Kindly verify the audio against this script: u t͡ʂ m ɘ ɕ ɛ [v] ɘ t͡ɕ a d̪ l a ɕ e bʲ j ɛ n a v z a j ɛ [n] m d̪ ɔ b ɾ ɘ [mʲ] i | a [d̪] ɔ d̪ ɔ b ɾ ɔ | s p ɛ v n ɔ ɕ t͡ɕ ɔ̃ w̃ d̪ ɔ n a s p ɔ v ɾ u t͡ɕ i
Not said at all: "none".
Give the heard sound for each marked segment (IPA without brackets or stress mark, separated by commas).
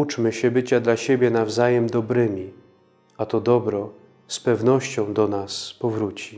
b, none, mʲ, t̪